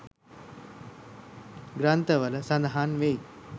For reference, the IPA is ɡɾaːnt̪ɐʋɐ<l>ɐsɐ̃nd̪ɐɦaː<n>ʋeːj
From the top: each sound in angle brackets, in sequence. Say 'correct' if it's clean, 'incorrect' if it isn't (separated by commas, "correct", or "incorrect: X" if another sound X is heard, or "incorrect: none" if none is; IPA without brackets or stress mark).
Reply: correct, correct